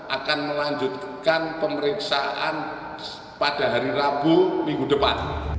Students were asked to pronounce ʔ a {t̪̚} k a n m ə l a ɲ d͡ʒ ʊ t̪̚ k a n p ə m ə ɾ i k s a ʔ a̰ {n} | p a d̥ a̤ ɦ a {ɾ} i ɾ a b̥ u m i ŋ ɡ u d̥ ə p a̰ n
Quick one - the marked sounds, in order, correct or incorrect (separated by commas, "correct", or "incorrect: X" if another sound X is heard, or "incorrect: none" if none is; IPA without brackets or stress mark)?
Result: incorrect: none, correct, correct